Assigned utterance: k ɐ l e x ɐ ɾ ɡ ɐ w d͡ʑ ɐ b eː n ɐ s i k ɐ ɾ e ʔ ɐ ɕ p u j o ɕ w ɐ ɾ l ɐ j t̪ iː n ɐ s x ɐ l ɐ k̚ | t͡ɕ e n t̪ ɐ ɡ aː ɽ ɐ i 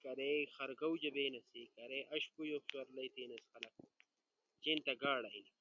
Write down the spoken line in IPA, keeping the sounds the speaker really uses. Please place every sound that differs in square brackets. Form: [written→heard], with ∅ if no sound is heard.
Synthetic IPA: k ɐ [l→ɾ] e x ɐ ɾ ɡ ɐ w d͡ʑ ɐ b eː n ɐ s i k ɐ ɾ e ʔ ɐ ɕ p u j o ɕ w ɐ ɾ l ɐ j t̪ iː n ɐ s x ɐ l ɐ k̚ | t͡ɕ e n t̪ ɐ ɡ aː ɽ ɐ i